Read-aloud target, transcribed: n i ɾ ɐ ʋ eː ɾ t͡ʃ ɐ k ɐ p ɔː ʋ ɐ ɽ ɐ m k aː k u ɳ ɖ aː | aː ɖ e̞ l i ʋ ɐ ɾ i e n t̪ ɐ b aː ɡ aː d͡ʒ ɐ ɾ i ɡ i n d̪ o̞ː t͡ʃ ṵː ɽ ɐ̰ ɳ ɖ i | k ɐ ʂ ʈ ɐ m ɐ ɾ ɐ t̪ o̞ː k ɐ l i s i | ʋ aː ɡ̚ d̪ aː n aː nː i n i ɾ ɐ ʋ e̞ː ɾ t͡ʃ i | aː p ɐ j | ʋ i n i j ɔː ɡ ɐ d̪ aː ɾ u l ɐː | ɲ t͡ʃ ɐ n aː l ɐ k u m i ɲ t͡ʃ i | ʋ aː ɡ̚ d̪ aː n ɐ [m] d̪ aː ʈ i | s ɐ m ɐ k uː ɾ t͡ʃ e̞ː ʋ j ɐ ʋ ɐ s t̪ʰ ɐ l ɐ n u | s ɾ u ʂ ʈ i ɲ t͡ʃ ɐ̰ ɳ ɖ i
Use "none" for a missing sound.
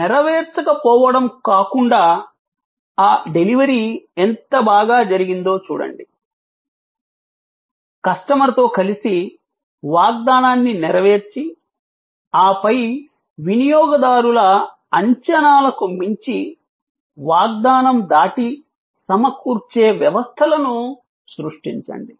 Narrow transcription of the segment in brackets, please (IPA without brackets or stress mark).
m